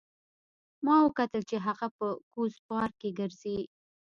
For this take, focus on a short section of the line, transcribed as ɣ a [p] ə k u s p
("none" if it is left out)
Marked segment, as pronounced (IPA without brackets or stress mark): p